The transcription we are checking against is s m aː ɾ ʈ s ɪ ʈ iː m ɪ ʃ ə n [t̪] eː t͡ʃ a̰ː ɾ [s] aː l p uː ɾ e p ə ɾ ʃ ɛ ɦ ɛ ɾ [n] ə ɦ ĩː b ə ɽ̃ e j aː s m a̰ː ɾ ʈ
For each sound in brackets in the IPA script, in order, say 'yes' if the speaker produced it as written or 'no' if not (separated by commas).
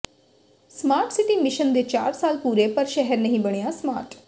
no, yes, yes